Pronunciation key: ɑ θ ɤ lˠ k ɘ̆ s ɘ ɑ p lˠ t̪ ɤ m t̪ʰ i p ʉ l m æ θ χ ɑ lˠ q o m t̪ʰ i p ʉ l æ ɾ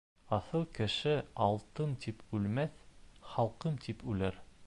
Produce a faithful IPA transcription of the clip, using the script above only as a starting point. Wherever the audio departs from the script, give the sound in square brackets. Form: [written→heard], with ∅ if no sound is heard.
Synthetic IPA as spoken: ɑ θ ɤ lˠ k ɘ̆ [s→ʃ] ɘ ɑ [p→∅] lˠ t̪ ɤ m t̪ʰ i p ʉ l m æ θ χ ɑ lˠ q [o→ɤ] m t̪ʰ i p ʉ l æ ɾ